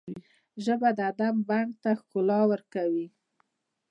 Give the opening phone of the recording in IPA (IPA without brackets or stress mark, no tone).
ʒ